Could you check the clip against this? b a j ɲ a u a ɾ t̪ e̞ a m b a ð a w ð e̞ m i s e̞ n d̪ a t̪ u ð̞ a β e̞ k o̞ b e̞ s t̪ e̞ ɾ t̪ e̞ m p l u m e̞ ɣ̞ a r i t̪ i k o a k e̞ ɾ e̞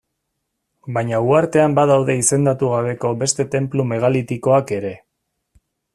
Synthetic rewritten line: b a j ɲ a u a ɾ t̪ e̞ a m b a ð a w ð e̞ i s e̞ n d̪ a t̪ u ɣ̞ a β e̞ k o̞ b e̞ s t̪ e̞ t̪ e̞ m p l u m e̞ ɣ̞ a l i t̪ i k o a k e̞ ɾ e̞